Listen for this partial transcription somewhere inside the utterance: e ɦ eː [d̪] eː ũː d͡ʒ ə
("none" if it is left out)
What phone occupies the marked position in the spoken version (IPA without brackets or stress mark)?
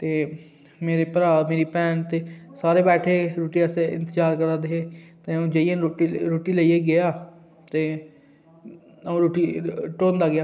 t̪